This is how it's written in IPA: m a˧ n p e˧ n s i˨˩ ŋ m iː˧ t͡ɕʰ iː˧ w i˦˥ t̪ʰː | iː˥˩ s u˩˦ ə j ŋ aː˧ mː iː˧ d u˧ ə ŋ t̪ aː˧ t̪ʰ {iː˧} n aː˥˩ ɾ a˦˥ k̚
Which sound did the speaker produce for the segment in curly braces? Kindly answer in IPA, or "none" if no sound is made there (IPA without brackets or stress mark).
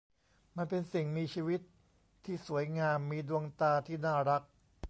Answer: iː˥˩